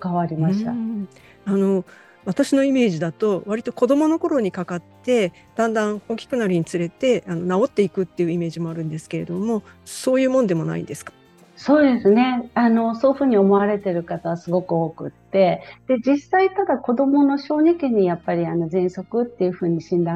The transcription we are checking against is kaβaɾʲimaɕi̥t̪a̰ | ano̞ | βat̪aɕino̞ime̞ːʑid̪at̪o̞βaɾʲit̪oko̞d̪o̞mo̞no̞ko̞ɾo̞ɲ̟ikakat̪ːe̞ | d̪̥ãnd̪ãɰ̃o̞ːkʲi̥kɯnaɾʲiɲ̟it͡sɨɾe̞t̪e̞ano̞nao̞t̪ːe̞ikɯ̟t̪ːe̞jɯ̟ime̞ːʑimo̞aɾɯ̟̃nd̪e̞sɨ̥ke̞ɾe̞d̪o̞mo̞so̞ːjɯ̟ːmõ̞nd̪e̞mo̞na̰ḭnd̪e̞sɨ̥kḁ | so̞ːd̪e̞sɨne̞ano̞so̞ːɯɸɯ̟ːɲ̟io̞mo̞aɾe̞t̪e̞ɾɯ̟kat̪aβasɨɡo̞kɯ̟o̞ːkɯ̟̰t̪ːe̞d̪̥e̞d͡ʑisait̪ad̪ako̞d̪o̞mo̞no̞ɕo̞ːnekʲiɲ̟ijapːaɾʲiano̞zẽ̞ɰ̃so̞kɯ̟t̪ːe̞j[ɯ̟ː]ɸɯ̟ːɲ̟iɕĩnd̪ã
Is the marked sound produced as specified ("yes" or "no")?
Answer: no